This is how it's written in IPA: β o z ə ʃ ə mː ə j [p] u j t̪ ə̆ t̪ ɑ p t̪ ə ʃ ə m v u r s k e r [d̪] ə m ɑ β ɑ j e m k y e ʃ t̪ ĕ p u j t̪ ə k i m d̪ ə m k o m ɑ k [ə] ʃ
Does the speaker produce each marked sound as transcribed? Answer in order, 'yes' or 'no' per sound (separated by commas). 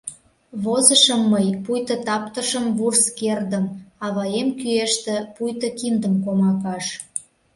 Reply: yes, yes, no